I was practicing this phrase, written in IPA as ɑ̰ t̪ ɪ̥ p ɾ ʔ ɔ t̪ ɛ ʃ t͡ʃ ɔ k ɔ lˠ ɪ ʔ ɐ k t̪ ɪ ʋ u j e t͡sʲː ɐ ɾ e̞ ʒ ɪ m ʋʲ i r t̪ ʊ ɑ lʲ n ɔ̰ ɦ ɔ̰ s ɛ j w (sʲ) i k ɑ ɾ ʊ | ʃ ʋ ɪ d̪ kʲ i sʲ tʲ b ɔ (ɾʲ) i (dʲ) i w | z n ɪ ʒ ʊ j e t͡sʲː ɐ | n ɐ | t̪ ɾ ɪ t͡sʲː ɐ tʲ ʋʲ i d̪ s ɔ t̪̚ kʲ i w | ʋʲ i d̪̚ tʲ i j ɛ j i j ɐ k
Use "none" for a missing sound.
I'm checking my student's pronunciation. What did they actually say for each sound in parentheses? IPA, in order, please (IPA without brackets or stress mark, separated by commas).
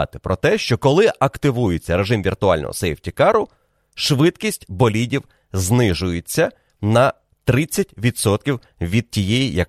tʲ, lʲ, dʲ